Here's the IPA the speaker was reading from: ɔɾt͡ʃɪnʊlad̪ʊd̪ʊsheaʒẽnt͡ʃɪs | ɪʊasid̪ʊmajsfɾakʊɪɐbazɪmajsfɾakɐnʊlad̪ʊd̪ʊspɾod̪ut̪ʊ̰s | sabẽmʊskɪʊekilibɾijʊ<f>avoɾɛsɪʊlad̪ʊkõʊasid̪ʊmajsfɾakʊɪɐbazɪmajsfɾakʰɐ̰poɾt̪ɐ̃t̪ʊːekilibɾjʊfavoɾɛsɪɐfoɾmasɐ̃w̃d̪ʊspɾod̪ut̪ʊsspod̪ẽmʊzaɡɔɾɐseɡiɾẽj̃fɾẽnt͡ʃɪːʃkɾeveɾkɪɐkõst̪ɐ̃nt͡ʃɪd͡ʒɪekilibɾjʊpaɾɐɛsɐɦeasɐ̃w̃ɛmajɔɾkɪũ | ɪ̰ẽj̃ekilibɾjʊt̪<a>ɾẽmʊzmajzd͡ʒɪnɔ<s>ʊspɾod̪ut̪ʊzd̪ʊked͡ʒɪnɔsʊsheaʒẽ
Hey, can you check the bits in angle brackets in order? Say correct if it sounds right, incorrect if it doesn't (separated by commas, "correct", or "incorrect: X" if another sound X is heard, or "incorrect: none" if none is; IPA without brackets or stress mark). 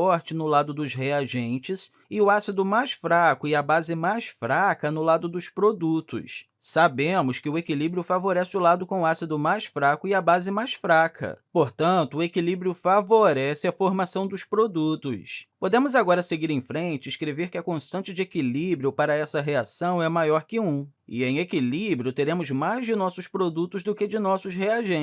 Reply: correct, incorrect: e, correct